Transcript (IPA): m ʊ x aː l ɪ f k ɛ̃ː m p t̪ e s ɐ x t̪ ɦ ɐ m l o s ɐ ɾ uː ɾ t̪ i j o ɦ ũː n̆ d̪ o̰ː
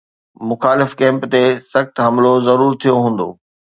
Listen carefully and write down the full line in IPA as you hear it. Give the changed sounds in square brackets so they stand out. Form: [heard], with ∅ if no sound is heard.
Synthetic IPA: m ʊ x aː l ɪ f k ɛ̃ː m p t̪ e s ɐ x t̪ ɦ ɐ m l o [z] ɐ ɾ uː ɾ [t̪ʰ] i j o ɦ ũː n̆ d̪ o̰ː